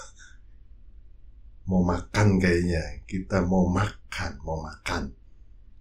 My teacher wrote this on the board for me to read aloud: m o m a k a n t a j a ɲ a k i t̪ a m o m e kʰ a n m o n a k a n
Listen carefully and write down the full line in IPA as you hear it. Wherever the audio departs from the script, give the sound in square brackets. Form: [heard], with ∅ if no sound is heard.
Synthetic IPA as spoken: m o m a k a n [k] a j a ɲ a k i t̪ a m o m [a] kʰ a n m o [m] a k a n